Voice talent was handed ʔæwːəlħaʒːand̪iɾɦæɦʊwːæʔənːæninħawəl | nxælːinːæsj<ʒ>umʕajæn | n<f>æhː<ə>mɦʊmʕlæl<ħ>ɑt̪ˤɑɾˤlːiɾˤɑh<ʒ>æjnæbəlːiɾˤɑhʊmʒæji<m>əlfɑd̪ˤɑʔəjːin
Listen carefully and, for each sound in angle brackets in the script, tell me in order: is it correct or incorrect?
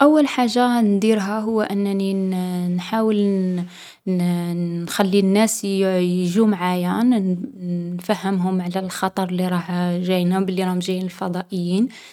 correct, correct, correct, incorrect, correct, incorrect

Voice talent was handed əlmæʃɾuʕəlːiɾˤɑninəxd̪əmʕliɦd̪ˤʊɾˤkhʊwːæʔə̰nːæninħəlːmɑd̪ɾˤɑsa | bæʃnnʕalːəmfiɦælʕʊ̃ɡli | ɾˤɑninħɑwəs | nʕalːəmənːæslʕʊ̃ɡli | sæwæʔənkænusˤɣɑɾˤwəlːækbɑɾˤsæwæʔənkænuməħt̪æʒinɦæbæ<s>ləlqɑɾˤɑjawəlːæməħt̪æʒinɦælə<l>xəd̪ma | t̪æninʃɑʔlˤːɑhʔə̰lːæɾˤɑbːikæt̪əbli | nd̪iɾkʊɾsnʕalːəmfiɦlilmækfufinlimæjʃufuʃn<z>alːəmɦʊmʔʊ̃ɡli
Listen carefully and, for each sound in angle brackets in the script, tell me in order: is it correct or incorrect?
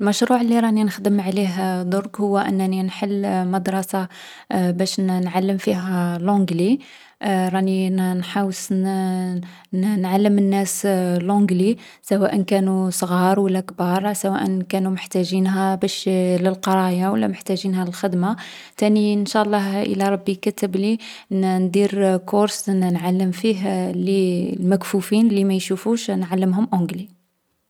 incorrect, correct, incorrect

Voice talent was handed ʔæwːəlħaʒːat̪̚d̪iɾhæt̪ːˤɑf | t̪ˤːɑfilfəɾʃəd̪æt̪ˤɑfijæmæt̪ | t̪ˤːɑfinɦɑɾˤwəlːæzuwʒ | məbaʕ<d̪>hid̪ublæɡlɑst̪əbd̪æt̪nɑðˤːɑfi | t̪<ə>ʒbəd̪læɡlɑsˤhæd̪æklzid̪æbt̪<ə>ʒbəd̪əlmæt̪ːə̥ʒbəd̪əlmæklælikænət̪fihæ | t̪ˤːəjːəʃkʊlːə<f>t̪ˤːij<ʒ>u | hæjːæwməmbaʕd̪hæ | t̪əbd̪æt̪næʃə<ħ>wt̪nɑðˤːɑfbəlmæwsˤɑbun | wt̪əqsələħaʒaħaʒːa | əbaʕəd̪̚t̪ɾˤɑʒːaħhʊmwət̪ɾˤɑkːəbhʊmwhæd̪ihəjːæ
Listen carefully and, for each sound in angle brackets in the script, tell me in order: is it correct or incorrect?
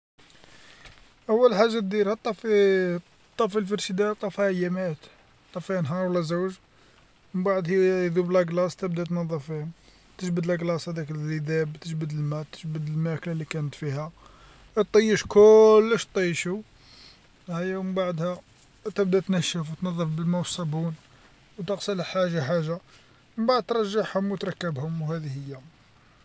correct, correct, correct, incorrect, incorrect, incorrect

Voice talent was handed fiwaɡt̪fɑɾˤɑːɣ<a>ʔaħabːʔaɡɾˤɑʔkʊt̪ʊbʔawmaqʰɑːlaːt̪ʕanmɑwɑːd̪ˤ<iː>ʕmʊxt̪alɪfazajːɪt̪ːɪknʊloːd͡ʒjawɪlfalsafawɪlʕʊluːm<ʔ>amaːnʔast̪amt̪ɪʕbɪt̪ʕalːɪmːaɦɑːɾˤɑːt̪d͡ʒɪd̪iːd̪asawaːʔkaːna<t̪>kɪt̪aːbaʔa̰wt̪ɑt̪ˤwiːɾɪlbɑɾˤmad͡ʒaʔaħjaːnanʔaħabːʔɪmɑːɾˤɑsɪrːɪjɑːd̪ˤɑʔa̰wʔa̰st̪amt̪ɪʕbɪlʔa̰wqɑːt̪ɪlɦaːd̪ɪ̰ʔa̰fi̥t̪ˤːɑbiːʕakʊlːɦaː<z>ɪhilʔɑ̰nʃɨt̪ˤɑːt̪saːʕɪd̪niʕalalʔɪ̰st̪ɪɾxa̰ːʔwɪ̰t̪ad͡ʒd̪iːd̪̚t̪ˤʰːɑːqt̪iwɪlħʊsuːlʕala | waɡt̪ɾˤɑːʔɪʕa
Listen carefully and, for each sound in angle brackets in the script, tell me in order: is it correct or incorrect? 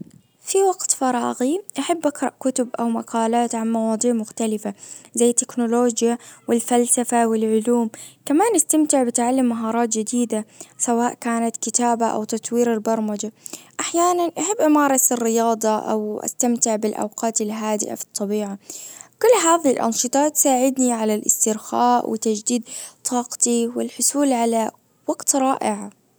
incorrect, correct, incorrect, correct, incorrect

